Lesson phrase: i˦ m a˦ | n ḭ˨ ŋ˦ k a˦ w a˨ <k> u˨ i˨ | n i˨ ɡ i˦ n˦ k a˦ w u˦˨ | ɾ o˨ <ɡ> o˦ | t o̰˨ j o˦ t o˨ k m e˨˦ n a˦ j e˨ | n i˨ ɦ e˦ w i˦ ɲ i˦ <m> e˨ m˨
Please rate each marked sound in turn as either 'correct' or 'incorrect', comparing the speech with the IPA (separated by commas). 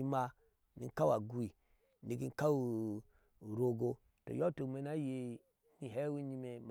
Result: incorrect, correct, correct